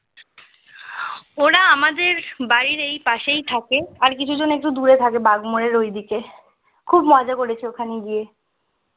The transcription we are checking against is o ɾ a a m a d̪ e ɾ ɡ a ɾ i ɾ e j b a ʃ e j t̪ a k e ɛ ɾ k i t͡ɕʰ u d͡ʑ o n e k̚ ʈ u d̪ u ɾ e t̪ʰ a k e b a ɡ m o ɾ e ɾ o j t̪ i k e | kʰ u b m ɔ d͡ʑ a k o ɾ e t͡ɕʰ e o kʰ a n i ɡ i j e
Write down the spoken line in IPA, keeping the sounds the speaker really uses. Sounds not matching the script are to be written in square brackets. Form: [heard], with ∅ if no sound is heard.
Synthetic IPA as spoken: o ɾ a a m a d̪ e ɾ [b] a ɾ i ɾ e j [p] a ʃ e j [t̪ʰ] a k e [a] ɾ k i t͡ɕʰ u d͡ʑ o n e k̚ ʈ u d̪ u ɾ e t̪ʰ a k e b a ɡ m o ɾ e ɾ o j [d̪] i k e | kʰ u b m ɔ d͡ʑ a k o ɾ e t͡ɕʰ e o kʰ a n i ɡ i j e